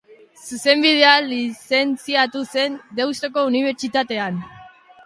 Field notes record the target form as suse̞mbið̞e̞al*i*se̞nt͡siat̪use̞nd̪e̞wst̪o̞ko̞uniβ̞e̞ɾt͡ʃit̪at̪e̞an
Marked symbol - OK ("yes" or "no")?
yes